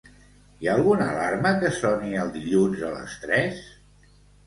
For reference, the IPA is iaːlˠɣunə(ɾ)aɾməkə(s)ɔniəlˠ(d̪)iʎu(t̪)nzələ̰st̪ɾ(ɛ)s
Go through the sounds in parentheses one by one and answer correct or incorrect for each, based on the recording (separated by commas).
incorrect, correct, correct, incorrect, correct